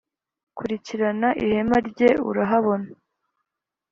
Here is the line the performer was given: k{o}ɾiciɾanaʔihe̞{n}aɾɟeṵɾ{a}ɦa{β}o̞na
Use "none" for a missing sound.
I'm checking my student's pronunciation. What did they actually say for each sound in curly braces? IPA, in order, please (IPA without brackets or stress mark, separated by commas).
u, m, a, β